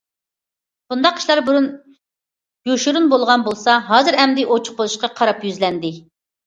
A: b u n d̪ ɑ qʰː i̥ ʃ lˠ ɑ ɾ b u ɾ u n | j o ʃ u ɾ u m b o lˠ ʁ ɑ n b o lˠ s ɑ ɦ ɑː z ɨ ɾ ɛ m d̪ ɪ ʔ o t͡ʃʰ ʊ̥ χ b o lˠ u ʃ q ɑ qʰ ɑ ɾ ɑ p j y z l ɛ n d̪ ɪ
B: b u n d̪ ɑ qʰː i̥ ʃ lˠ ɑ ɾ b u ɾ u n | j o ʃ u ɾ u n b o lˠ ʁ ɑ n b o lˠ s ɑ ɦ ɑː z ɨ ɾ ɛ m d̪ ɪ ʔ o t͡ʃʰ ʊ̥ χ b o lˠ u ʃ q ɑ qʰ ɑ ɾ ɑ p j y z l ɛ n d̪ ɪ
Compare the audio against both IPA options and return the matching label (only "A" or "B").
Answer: B